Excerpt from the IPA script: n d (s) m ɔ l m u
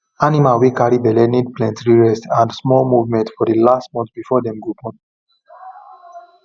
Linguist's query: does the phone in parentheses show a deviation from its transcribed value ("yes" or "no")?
no